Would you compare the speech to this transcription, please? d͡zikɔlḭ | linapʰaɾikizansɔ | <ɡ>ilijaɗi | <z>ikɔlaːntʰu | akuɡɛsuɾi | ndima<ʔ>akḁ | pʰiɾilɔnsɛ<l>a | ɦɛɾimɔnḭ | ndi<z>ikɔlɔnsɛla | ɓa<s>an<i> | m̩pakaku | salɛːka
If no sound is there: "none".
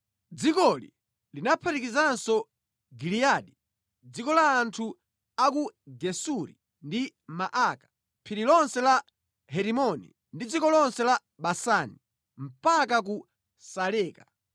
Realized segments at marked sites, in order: ɡ, d͡z, ʔ, l, d͡z, s, i

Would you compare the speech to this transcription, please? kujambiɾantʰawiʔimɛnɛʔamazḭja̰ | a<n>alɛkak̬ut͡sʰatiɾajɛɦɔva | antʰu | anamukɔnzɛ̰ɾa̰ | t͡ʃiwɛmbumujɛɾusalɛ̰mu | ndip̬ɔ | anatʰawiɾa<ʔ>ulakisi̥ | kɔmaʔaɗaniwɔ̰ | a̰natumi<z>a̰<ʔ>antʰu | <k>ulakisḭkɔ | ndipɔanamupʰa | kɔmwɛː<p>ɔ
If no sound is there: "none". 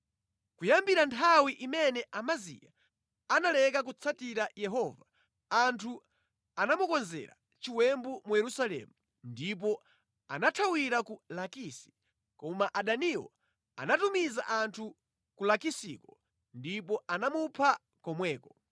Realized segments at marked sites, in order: n, k, z, ʔ, k, k

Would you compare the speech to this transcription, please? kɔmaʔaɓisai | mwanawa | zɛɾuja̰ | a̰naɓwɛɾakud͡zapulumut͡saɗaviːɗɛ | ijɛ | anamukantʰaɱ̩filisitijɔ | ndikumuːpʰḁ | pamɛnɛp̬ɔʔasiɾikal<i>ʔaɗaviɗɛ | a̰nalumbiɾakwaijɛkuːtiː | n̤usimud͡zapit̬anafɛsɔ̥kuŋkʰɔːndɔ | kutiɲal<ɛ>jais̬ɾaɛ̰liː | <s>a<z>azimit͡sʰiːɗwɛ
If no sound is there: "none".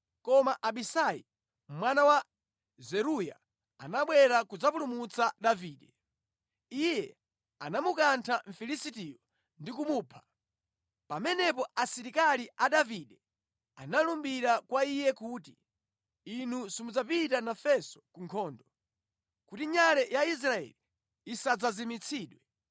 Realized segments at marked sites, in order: i, ɛ, s, d͡z

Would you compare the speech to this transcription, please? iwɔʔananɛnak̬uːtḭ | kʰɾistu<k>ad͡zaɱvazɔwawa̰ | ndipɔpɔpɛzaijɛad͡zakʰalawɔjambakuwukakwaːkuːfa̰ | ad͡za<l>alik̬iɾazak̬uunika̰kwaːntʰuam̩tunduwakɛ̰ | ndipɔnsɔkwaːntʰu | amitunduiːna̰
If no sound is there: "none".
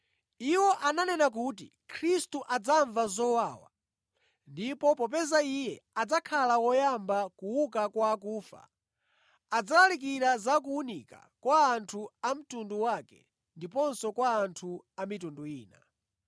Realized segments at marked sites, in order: ʔ, l

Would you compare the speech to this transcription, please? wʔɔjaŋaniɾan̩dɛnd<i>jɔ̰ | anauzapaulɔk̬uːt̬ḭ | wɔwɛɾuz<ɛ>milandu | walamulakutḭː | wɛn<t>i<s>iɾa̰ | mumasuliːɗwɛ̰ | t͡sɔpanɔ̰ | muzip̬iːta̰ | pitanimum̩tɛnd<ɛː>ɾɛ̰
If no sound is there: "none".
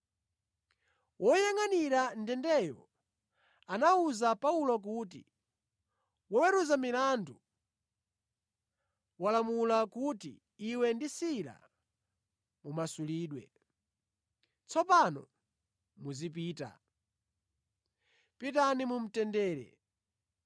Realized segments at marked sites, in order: ɛ, a, d, s, ɛː

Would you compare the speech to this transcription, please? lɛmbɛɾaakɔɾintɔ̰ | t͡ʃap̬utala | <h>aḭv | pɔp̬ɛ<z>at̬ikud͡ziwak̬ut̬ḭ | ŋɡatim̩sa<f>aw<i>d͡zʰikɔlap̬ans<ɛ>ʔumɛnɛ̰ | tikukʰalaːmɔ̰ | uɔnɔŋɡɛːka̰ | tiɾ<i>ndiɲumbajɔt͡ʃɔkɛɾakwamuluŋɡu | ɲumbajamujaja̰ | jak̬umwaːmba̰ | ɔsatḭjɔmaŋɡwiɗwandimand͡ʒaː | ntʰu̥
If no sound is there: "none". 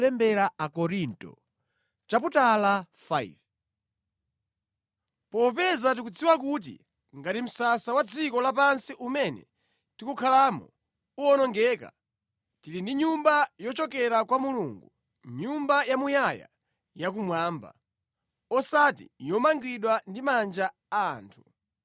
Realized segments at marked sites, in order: f, z, s, a, i, i

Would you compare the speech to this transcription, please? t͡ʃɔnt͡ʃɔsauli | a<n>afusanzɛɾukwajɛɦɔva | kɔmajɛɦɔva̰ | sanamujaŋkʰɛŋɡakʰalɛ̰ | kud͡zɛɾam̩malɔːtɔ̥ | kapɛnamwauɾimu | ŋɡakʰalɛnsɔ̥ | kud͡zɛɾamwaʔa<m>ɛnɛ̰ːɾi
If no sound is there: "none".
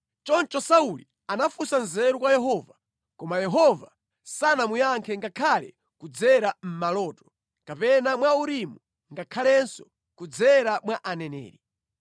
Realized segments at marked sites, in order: n, n

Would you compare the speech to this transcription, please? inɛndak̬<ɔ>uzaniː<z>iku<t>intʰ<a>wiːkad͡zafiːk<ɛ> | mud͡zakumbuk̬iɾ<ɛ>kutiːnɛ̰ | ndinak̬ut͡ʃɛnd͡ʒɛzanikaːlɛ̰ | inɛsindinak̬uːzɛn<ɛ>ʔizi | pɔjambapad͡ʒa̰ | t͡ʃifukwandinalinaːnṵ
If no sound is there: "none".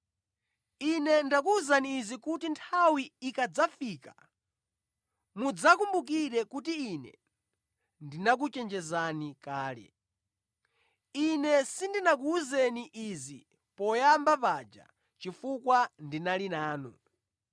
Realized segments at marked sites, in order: u, z, t, a, a, ɛ, i

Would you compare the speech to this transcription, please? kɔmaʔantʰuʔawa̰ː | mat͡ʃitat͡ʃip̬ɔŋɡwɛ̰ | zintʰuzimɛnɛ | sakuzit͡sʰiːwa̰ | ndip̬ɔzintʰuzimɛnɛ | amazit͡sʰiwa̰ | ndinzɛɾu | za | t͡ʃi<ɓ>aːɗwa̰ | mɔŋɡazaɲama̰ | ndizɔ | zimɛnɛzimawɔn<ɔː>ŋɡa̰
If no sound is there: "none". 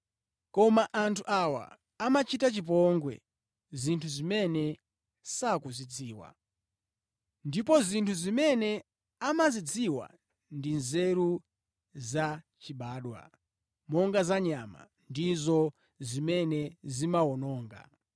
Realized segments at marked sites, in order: ɓ, ɔː

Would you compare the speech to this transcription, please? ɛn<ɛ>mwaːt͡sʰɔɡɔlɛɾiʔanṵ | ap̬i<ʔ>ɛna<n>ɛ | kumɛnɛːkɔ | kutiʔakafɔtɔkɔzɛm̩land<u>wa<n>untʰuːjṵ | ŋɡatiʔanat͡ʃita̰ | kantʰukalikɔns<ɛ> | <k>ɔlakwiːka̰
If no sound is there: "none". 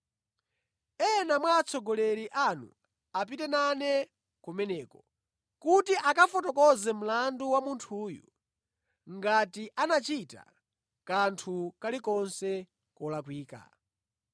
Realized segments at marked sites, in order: a, t, n, u, m, ɛ, k

